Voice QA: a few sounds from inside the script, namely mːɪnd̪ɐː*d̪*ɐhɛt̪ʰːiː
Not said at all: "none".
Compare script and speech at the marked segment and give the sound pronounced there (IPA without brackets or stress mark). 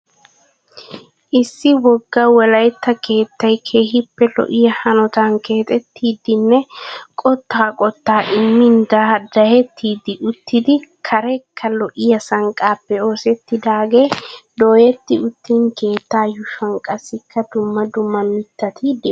d̪